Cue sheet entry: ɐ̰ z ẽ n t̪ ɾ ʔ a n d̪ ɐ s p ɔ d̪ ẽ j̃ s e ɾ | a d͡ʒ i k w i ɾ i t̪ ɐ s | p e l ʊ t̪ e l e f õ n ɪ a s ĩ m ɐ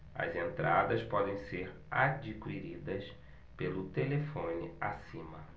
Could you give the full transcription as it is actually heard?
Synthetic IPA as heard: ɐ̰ z ẽ n t̪ ɾ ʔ a d̪ ɐ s p ɔ d̪ ẽ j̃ s e ɾ | a d͡ʒ i k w i ɾ i d̪ ɐ s | p e l ʊ t̪ e l e f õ n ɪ a s ĩ m ɐ